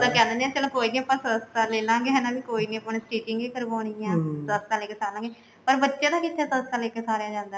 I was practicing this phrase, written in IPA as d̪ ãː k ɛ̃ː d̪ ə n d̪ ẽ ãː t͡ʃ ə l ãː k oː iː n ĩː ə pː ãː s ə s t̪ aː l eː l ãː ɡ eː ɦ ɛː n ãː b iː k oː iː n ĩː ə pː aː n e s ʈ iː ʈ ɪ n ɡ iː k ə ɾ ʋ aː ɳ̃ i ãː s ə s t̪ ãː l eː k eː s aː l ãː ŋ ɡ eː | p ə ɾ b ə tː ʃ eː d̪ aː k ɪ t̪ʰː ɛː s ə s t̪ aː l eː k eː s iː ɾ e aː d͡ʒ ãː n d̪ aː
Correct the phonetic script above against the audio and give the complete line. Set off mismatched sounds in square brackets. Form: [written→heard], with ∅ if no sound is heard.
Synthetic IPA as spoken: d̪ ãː k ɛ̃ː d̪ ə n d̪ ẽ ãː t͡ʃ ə l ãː k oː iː n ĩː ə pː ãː s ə s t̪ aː l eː l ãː ɡ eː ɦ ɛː n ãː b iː k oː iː n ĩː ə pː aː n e s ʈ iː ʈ ɪ [n→ŋ] ɡ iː k ə ɾ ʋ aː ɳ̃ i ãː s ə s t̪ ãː l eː k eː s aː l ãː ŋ ɡ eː | p ə ɾ b ə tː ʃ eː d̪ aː k ɪ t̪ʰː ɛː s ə s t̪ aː l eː k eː s [iː→aː] ɾ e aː d͡ʒ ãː n d̪ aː